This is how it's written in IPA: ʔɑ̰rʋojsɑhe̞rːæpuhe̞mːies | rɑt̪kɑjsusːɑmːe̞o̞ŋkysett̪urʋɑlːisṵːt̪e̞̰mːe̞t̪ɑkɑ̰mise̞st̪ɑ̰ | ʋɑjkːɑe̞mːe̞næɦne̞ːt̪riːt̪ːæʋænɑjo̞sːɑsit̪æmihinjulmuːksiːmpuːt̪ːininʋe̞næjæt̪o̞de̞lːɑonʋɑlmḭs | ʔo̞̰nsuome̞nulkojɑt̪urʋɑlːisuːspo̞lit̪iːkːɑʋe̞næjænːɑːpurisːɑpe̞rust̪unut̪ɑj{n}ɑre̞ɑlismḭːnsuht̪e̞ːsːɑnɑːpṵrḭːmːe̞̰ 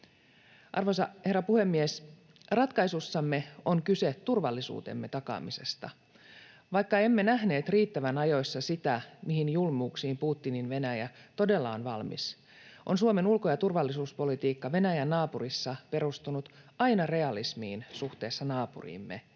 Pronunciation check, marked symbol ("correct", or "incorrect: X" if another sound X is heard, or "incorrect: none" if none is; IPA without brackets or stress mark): correct